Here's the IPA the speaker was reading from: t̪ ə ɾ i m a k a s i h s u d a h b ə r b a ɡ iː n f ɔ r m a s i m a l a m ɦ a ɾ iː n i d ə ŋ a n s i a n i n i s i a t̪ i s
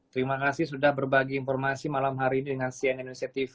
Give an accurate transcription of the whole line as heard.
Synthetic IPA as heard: t̪ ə ɾ i m a k a s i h s u d a h b ə r b a ɡ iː n f ɔ r m a s i m a l a m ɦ a ɾ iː n i d ə ŋ a n s i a n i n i s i a t̪ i f